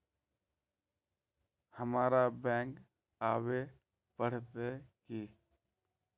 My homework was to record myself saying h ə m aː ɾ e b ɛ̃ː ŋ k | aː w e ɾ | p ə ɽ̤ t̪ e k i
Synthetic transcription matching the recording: h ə m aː ɾ a b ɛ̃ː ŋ k | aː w e | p ə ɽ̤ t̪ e k i